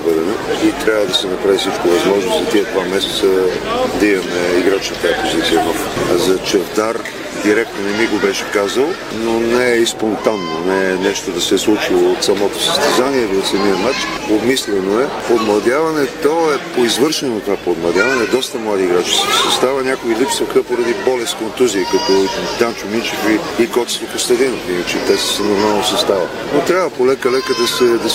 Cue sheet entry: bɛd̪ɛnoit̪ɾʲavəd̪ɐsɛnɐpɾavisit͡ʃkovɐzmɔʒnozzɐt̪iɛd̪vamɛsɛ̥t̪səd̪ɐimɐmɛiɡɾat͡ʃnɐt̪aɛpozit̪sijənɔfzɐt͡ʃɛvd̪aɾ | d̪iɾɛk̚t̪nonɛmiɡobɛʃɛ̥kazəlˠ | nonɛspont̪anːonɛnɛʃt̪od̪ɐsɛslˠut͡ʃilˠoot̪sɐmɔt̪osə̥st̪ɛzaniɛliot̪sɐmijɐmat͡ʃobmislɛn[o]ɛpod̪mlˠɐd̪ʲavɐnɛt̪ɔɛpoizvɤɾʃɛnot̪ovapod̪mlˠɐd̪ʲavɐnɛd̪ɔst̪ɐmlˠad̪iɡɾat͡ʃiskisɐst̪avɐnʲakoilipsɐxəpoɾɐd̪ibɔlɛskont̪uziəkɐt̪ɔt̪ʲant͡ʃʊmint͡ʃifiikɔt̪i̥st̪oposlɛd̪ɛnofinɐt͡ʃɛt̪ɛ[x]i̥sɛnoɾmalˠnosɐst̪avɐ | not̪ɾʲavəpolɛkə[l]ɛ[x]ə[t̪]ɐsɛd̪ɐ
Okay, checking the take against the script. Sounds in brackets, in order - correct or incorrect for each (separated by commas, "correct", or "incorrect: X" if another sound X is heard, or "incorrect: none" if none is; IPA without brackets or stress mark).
correct, incorrect: s, correct, incorrect: k, incorrect: d̪